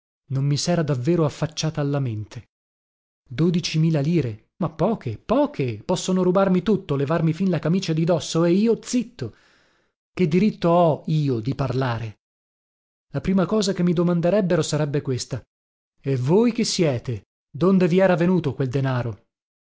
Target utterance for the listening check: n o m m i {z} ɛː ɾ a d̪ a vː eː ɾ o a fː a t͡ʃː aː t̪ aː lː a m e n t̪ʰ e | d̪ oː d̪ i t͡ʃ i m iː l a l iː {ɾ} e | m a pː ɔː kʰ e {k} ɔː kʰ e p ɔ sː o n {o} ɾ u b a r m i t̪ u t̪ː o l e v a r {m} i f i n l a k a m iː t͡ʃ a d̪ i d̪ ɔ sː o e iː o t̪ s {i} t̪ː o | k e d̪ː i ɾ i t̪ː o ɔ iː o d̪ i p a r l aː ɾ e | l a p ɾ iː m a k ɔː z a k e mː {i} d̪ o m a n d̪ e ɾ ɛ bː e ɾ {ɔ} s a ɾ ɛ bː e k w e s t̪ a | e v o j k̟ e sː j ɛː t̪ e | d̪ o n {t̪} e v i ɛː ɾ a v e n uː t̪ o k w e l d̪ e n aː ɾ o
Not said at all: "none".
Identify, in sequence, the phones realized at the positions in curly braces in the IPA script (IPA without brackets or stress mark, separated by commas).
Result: s, ɾ, p, o, m, i, i, o, d̪